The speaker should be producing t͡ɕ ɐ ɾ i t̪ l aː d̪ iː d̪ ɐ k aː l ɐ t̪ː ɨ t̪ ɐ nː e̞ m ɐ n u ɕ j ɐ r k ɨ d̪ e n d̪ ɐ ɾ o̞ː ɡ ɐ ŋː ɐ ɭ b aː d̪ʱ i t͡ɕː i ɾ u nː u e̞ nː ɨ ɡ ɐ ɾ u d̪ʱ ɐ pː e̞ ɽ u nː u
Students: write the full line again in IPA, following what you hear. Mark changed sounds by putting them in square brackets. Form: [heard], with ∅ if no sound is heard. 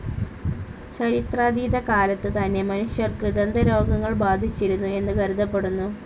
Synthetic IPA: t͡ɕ ɐ ɾ i t̪ [r] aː d̪ iː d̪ ɐ k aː l ɐ t̪ː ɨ t̪ ɐ nː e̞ m ɐ n u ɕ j ɐ r k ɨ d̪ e n d̪ ɐ ɾ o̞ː ɡ ɐ ŋː ɐ ɭ b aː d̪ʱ i t͡ɕː i ɾ u nː u e̞ nː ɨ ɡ ɐ ɾ u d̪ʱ ɐ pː e̞ ɽ u nː u